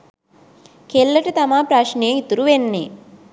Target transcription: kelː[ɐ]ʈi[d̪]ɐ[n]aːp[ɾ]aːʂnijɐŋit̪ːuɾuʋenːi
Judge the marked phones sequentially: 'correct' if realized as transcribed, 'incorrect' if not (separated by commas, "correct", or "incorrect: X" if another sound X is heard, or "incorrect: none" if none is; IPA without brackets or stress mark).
correct, incorrect: t̪, incorrect: m, correct